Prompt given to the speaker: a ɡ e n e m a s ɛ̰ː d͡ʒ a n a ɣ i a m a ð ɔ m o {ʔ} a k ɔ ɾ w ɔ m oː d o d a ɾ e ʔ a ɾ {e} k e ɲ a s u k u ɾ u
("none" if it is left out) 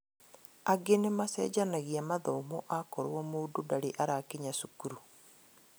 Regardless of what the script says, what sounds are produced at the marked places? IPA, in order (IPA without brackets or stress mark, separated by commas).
ʔ, a